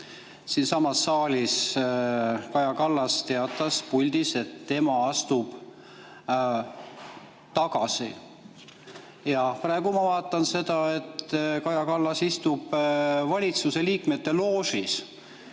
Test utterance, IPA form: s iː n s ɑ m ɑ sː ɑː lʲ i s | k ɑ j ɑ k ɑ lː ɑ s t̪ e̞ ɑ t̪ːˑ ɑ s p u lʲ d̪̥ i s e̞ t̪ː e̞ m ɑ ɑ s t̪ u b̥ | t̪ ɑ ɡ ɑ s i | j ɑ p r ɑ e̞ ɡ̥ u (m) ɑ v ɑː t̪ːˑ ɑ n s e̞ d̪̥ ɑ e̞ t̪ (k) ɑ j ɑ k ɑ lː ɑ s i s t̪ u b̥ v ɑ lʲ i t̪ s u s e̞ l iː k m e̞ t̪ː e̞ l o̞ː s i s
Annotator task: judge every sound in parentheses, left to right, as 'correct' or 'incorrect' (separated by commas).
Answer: correct, correct